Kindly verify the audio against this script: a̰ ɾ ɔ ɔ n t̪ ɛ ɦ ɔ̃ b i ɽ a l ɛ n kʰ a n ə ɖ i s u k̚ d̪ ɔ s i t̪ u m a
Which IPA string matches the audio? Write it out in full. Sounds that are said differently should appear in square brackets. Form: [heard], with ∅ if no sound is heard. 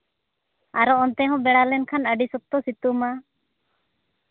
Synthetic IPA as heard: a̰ ɾ ɔ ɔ n t̪ ɛ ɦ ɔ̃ b [ɛ] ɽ a l ɛ n kʰ a n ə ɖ i s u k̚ [t̪] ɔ s i t̪ u m a